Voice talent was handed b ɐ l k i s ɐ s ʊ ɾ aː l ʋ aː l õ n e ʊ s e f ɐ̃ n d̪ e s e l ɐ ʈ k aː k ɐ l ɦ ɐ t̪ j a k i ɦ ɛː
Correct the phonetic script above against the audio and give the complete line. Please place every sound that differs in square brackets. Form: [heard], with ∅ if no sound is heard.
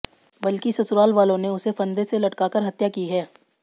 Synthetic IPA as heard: b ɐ l k i s ɐ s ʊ ɾ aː l ʋ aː l õ n e ʊ s e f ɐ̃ n d̪ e s e l ɐ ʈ k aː k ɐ [ɾ] ɦ ɐ t̪ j a k i ɦ ɛː